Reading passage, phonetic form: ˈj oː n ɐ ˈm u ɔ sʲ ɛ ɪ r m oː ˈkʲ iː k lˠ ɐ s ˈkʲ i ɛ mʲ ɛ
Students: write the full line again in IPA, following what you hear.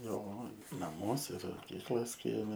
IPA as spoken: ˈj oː n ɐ ˈm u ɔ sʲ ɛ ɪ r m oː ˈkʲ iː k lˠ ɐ s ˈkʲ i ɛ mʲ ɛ